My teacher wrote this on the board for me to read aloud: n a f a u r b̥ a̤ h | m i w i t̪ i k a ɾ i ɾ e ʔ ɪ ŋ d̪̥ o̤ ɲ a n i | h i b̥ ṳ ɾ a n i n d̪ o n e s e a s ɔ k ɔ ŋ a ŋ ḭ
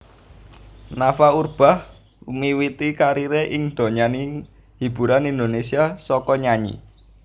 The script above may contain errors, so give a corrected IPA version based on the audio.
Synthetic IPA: n a f a u r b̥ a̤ h | m i w i t̪ i k a ɾ i ɾ e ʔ ɪ ŋ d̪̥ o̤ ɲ a n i | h i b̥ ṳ ɾ a n i n d̪ o n e s i a s ɔ k ɔ ɲ a ɲ ḭ